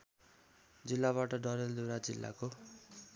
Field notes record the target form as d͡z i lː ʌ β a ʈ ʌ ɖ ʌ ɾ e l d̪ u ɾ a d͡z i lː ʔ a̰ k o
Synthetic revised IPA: d͡z i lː a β a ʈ ʌ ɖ ʌ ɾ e l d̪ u ɾ a d͡z i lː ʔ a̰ k o